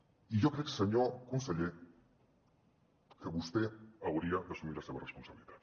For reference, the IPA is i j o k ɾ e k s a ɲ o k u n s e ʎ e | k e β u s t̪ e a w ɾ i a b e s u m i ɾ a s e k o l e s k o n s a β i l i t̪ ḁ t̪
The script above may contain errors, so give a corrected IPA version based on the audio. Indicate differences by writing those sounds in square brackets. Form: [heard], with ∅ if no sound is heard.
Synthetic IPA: i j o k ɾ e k s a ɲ o k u n s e ʎ e | k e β u s t̪ e a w ɾ i a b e s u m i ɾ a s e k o [r] e s [p] o n s a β i l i t̪ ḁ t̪